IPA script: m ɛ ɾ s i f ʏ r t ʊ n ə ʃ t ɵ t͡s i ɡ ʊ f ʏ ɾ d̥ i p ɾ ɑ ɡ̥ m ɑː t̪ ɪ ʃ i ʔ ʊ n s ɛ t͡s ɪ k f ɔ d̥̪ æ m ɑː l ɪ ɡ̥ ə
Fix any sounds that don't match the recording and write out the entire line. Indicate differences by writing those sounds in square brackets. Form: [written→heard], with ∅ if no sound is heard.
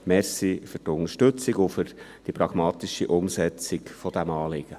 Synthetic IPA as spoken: m ɛ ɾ s i f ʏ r t ʊ n ə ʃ t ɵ t͡s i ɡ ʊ f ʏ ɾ d̥ i p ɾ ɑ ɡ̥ m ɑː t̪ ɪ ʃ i ʔ ʊ [n→m] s ɛ t͡s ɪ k f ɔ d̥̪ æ m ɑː l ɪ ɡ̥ ə